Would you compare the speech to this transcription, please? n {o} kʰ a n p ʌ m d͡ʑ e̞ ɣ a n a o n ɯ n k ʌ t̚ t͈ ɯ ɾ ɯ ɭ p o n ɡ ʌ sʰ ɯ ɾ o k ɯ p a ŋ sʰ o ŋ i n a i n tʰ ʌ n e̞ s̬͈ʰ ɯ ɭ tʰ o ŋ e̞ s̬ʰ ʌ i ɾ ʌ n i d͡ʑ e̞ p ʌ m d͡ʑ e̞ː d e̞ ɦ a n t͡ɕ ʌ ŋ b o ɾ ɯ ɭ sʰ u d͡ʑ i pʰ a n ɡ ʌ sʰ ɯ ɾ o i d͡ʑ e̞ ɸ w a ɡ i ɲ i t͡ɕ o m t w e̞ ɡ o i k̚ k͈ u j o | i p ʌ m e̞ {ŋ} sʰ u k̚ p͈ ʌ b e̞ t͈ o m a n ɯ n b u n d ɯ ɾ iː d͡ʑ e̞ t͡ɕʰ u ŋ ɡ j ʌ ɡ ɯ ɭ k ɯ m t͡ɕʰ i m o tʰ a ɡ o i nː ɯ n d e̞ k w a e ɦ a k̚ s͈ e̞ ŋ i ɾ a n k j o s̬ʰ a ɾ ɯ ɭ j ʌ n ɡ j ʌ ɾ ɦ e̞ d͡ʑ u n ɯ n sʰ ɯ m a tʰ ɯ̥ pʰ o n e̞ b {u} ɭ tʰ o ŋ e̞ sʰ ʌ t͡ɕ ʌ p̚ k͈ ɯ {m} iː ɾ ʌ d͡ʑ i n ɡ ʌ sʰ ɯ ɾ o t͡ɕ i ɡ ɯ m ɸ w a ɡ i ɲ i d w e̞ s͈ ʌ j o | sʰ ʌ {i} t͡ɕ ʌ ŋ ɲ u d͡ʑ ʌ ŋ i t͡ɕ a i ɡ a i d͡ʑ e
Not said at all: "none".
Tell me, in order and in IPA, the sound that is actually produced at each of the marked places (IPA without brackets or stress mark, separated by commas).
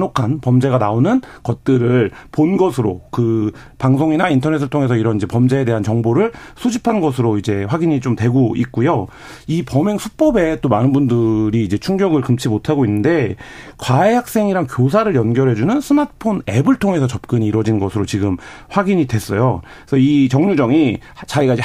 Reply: o, ŋ, ɯ, ɲ, i